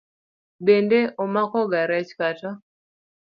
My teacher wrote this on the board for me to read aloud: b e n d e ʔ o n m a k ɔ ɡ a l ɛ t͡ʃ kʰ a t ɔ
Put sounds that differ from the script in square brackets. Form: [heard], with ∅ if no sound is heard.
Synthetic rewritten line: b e n d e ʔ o [∅] m a k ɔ ɡ a [ɾ] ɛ t͡ʃ [k] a t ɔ